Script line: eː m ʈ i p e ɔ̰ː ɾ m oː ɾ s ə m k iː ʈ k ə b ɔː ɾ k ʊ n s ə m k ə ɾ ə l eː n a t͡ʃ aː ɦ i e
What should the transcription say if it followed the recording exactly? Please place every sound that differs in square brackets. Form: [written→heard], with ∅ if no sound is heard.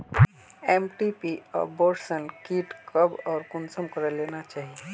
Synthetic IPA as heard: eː m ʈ i p [e→i] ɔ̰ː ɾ [m→b] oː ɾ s ə [m→n] k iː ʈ k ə b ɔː ɾ k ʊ n s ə m k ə ɾ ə l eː n a t͡ʃ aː ɦ i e